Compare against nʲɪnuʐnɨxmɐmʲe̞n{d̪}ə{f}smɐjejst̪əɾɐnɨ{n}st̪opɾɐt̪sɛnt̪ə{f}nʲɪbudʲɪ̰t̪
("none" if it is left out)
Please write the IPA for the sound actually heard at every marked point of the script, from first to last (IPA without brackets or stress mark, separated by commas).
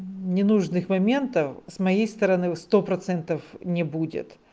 t̪, f, none, f